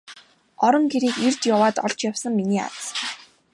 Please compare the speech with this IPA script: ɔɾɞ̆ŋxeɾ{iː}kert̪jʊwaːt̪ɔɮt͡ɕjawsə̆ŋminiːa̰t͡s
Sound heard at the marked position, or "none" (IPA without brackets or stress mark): iː